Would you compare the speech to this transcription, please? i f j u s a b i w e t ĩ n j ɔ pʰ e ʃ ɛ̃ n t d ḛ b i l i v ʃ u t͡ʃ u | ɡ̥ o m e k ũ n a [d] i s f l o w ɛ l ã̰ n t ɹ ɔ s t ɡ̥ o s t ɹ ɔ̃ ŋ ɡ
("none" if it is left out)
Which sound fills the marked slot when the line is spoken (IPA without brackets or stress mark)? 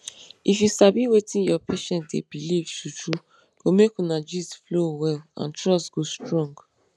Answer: d͡ʒ